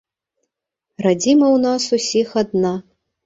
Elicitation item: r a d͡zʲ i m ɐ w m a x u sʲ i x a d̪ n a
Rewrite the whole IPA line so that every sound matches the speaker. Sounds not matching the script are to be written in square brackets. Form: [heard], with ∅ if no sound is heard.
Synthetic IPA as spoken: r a d͡zʲ i m ɐ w [n] a [s] u sʲ i x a d̪ n a